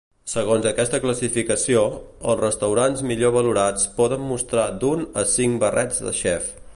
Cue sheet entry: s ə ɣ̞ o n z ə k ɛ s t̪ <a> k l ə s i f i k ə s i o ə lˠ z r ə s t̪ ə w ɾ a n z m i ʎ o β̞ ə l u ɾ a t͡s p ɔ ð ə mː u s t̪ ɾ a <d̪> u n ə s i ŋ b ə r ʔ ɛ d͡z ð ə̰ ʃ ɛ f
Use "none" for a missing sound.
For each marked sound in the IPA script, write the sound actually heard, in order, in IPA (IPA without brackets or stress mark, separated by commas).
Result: ə, d̪